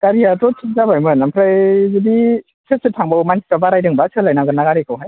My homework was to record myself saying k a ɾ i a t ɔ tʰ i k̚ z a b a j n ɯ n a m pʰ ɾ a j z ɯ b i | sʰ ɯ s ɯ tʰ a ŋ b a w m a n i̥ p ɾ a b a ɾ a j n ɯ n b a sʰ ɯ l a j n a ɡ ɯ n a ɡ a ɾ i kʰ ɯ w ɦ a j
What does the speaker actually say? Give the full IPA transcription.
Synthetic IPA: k a ɾ i a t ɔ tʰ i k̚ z a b a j m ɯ n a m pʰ ɾ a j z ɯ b i | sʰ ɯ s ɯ tʰ a ŋ b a w m a n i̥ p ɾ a b a ɾ a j d ɯ ŋ b a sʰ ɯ l a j n a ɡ ɯ n a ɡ a ɾ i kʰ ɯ w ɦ a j

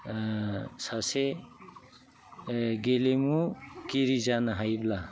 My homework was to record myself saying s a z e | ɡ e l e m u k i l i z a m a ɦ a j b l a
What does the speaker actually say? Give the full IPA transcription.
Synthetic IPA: s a s e | ɡ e l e m u k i ɾ i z a n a ɦ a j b l a

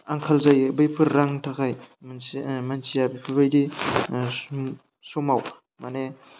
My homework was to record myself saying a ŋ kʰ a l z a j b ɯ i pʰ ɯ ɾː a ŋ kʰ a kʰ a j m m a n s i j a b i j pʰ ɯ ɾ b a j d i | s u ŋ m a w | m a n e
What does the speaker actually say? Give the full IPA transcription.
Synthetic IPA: a ŋ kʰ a l z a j b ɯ j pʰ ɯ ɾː a ŋ tʰ a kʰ a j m m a n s i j a b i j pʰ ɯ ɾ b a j d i | s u m a w | m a n e

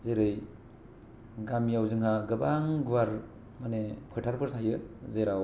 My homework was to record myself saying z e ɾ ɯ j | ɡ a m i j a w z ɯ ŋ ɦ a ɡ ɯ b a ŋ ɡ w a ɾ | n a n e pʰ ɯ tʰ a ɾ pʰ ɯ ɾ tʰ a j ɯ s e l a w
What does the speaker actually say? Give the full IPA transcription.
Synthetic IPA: z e ɾ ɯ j | ɡ a m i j a w z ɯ ŋ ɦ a ɡ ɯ b a ŋ ɡ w a ɾ | m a n e pʰ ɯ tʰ a ɾ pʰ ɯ ɾ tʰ a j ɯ z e ɾ a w

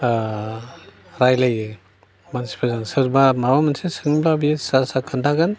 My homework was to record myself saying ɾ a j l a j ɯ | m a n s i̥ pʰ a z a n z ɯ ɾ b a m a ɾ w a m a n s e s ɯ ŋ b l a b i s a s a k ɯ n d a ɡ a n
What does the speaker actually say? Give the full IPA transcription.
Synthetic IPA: ɾ a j l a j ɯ | m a n s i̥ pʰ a z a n s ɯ ɾ b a m a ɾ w a m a n s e s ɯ ŋ b l a b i s a s a kʰ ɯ n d a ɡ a n

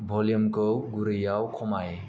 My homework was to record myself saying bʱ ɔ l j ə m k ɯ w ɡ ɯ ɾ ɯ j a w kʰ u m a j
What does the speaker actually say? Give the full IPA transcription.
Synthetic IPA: bʱ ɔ l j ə m k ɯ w ɡ u ɾ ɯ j a w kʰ ɔ m a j

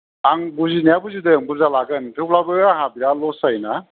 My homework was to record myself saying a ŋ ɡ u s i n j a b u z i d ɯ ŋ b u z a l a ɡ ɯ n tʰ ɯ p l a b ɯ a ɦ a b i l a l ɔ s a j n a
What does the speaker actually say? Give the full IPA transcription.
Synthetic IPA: a ŋ b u z i n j a b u z i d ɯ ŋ b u z a l a ɡ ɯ n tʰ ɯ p l a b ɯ a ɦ a b i ɾ a l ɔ s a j n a

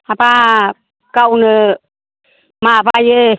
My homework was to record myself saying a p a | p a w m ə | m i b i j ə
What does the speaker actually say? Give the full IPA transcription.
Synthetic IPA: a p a | k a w n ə | m a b a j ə

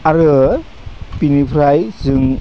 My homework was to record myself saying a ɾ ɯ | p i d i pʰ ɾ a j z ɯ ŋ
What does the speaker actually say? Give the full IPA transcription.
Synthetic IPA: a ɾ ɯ | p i n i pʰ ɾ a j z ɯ ŋ

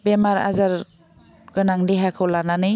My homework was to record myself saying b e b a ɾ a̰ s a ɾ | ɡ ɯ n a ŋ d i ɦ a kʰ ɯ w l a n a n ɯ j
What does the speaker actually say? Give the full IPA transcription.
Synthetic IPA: b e m a ɾ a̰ z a ɾ | ɡ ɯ n a ŋ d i ɦ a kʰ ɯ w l a n a n ɯ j

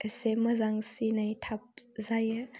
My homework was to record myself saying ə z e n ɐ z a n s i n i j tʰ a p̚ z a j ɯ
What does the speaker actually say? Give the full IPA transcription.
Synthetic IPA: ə s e m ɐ z a ŋ s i n a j tʰ a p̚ z a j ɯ

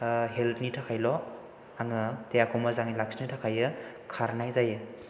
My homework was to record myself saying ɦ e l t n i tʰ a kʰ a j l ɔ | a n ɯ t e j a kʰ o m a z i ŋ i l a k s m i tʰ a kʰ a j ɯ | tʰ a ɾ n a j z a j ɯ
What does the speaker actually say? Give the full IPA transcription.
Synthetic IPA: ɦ e l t n i tʰ a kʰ a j l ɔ | a ŋ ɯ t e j a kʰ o m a z a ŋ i l a k s n i tʰ a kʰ a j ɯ | kʰ a ɾ n a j z a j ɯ

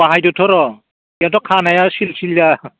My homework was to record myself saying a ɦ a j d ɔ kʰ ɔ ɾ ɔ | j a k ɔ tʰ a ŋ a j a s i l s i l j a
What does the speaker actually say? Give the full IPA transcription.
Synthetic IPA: a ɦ a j d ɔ tʰ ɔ ɾ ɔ | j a t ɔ kʰ a n a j a s i l s i l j a

